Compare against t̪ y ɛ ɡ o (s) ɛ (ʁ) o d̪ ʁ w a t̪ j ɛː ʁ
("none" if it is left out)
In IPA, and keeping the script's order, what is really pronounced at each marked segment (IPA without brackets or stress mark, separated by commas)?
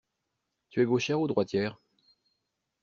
ʃ, ʁ